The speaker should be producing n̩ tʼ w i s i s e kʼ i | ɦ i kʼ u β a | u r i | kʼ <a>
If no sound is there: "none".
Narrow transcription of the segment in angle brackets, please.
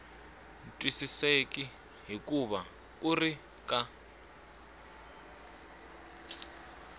a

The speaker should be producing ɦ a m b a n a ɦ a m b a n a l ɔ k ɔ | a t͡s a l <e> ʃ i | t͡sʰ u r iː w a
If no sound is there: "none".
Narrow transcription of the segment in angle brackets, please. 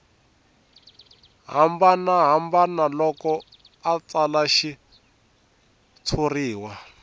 a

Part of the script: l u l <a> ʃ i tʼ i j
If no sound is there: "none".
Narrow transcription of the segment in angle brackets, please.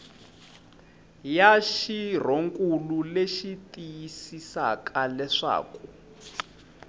e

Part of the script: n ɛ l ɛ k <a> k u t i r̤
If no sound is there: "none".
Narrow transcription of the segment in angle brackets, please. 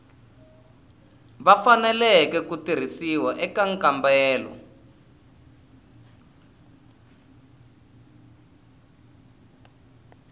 ɛ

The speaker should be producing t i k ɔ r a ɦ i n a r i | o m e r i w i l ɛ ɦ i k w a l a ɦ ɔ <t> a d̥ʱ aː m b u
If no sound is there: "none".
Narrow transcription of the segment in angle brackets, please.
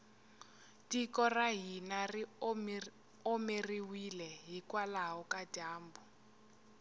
k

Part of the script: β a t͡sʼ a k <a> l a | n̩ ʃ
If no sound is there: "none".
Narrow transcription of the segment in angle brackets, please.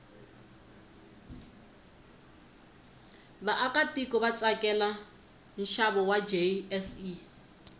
ɛ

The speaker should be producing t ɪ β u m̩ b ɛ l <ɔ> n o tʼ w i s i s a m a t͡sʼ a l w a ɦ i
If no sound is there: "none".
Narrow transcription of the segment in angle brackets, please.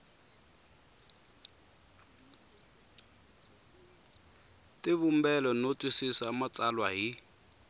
ɔ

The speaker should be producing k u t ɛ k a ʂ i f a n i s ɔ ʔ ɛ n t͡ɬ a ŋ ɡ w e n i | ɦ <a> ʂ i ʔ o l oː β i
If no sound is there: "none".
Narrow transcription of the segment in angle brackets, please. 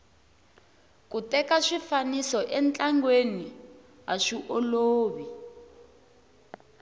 a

